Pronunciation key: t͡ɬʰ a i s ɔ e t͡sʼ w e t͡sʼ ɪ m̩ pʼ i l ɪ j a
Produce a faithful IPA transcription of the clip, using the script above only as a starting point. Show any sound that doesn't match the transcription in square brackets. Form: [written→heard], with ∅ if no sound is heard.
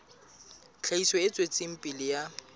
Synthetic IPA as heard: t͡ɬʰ a i s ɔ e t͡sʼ w e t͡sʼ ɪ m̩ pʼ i l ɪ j a